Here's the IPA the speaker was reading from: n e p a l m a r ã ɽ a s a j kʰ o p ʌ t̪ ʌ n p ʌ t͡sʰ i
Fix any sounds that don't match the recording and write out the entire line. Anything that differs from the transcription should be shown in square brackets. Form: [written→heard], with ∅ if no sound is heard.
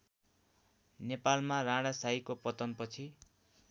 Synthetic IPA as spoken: n e p a l m a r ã ɽ a s a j [kʰ→k] o p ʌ t̪ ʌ n p ʌ t͡sʰ i